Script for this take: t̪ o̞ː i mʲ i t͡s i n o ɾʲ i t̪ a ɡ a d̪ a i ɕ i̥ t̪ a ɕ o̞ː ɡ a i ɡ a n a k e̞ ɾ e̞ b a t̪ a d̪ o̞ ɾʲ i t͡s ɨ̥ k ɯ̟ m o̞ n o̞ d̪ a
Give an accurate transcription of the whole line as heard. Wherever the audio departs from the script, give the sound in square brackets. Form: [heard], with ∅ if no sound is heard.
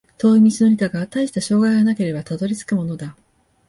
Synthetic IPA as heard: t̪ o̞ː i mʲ i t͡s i n o ɾʲ i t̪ a ɡ a [t̪] a i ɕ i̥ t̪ a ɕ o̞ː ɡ a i ɡ a n a k e̞ ɾ e̞ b a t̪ a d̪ o̞ ɾʲ i t͡s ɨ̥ k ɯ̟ m o̞ n o̞ d̪ a

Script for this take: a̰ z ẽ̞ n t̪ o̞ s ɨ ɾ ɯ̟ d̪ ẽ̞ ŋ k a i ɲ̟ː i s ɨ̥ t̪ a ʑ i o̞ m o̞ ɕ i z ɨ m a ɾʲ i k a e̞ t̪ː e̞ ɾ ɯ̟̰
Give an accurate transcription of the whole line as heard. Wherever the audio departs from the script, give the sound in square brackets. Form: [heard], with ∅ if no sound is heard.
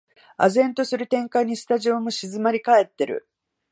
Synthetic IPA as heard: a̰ z ẽ̞ n t̪ o̞ s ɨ ɾ ɯ̟ [t̪] ẽ̞ ŋ k a i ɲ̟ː i s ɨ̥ t̪ a ʑ i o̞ m o̞ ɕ i z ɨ m a ɾʲ i k a e̞ t̪ː e̞ ɾ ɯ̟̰

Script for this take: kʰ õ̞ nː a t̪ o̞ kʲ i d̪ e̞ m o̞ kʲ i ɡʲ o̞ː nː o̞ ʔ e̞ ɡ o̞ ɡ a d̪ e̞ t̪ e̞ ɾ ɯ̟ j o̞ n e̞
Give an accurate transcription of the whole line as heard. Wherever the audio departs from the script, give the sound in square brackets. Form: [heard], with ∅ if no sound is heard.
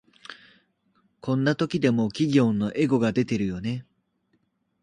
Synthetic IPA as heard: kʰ õ̞ nː a t̪ o̞ kʲ i d̪ e̞ m o̞ kʲ i ɡʲ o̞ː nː o̞ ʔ e̞ ɡ o̞ ɡ a d̪ e̞ t̪ e̞ ɾ ɯ̟ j o̞ n e̞

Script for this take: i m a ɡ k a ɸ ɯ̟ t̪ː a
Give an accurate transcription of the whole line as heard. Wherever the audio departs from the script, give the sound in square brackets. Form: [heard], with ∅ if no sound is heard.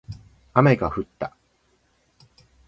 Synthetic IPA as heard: [a] m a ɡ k a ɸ ɯ̟ t̪ː a

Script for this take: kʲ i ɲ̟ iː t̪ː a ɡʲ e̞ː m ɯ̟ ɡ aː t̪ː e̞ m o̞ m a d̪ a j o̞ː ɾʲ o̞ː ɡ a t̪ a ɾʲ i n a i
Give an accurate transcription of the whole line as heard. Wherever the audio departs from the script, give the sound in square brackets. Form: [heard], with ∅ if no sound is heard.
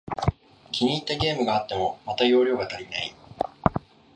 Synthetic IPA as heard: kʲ i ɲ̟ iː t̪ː a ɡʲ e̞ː m ɯ̟ ɡ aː t̪ː e̞ m o̞ m a [t̪] a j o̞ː ɾʲ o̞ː ɡ a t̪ a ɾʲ i n a i

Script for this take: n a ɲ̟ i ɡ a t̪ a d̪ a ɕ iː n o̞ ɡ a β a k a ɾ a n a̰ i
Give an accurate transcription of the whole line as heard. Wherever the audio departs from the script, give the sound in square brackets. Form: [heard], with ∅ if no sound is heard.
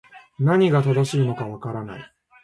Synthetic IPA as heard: n a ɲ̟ i ɡ a t̪ a d̪ a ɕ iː n o̞ [k] a β a k a ɾ a n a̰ i

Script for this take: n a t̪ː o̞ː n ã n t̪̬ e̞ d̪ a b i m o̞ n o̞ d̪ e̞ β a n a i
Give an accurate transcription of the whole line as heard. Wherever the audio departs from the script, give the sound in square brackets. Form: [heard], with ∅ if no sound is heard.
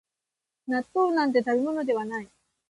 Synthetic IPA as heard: n a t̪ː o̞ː n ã n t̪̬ e̞ [t̪] a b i m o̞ n o̞ d̪ e̞ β a n a i

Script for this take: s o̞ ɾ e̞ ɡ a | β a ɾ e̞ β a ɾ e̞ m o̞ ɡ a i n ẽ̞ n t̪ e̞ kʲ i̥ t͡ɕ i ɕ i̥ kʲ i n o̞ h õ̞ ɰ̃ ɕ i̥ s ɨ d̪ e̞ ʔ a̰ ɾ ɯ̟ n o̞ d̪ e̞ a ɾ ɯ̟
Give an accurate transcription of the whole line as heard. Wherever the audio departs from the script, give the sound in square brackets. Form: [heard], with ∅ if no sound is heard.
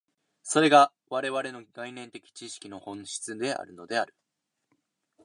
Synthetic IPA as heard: s o̞ ɾ e̞ ɡ a | β a ɾ e̞ β a ɾ e̞ [n] o̞ ɡ a i n ẽ̞ n t̪ e̞ kʲ i̥ t͡ɕ i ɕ i̥ kʲ i n o̞ h õ̞ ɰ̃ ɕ i̥ [t͡s] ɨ d̪ e̞ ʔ a̰ ɾ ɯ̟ n o̞ d̪ e̞ a ɾ ɯ̟

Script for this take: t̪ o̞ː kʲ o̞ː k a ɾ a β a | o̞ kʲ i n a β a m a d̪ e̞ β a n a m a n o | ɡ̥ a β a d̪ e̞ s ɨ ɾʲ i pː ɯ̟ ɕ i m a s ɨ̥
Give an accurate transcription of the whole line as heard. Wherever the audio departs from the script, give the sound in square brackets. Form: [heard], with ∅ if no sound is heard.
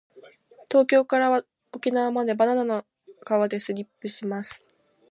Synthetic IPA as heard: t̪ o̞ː kʲ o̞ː k a ɾ a β a | o̞ kʲ i n a β a m a d̪ e̞ [b] a n a [n] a n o | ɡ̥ a β a d̪ e̞ s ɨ ɾʲ i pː ɯ̟ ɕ i m a s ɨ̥

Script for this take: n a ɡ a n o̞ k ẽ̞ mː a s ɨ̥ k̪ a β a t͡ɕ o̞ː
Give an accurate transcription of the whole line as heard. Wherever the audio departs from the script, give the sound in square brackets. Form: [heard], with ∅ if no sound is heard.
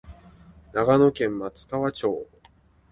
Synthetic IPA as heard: n a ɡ a n o̞ k ẽ̞ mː a [t͡s] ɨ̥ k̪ a β a t͡ɕ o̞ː

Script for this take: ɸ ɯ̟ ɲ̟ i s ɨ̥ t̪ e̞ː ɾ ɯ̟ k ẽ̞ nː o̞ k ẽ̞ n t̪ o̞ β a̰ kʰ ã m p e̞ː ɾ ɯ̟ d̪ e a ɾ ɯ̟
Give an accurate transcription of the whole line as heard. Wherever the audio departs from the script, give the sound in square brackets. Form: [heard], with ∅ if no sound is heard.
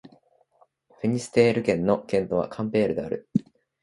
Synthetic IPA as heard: ɸ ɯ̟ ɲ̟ i s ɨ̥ t̪ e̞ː ɾ ɯ̟ k ẽ̞ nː o̞ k ẽ̞ n t̪ o̞ β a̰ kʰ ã m p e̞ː ɾ ɯ̟ d̪ e a ɾ ɯ̟

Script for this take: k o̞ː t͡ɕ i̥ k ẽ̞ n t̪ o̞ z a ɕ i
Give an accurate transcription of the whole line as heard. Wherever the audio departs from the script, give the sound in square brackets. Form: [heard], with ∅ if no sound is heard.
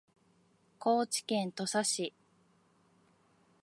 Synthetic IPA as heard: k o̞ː t͡ɕ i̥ k ẽ̞ n t̪ o̞ [s] a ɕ i

